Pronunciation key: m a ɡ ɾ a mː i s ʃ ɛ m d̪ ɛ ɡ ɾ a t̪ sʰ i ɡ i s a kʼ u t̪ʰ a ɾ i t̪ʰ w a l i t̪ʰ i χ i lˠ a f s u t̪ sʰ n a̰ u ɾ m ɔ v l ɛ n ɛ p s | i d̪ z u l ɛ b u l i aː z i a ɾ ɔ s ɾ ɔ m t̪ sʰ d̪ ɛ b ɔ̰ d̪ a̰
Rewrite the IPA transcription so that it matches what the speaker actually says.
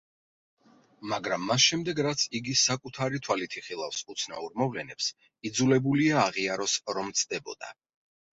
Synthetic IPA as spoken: m a ɡ ɾ a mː a s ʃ ɛ m d̪ ɛ ɡ ɾ a t̪ sʰ i ɡ i s a kʼ u t̪ʰ a ɾ i t̪ʰ w a l i t̪ʰ i χ i lˠ a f s u t̪ sʰ n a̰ u ɾ m ɔ v l ɛ n ɛ p s | i d̪ z u l ɛ b u l i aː ʁ i a ɾ ɔ s ɾ ɔ m t̪ sʰ d̪ ɛ b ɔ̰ d̪ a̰

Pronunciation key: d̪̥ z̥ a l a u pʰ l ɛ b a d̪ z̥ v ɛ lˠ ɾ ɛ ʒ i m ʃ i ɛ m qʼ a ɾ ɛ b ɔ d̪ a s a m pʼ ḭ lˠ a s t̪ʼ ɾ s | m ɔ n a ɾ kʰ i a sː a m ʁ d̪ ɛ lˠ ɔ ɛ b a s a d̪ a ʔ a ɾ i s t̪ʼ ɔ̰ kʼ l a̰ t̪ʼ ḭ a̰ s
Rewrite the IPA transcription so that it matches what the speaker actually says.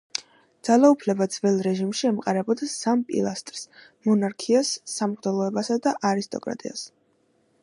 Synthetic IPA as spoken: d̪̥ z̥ a l a u pʰ l ɛ b a d̪ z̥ v ɛ lˠ ɾ ɛ ʒ i m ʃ i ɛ m qʼ a ɾ ɛ b ɔ d̪ a s a m pʼ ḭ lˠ a s t̪ʼ ɾ s | m ɔ n a ɾ kʰ i a sː a m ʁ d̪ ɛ lˠ ɔ ɛ b a s a d̪ a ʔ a ɾ i s t̪ʼ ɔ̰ kʼ ɾ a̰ t̪ʼ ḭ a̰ s

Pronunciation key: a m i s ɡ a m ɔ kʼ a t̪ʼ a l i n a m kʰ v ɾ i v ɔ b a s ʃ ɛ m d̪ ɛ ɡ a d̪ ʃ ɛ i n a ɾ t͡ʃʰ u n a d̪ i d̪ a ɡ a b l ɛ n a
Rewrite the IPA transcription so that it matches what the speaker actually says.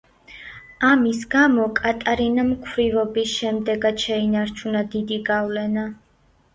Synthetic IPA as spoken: a m i s ɡ a m ɔ kʼ a t̪ʼ a ɾ i n a m kʰ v ɾ i v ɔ b i s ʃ ɛ m d̪ ɛ ɡ a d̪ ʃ ɛ i n a ɾ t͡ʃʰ u n a d̪ i d̪ i ɡ a v l ɛ n a

